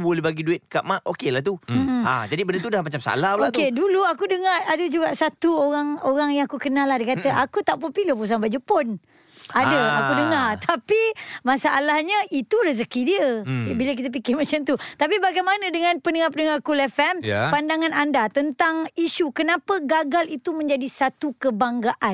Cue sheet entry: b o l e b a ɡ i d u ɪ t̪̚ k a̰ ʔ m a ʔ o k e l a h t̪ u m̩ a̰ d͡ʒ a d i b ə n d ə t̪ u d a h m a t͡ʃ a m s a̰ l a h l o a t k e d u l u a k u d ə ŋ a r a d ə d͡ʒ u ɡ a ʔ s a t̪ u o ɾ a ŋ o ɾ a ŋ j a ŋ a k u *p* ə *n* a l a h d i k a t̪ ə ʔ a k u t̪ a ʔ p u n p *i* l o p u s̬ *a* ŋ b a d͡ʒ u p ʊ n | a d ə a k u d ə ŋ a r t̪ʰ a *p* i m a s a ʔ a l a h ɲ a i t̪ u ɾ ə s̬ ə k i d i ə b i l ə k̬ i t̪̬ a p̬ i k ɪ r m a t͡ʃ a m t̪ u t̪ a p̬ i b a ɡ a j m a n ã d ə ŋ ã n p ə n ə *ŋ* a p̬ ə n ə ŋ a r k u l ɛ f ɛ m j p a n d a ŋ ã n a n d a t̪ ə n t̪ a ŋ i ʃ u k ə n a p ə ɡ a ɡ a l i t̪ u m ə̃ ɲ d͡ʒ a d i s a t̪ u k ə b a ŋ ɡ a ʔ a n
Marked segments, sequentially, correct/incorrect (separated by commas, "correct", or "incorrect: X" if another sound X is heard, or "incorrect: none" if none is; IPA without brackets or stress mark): incorrect: k, correct, correct, correct, correct, correct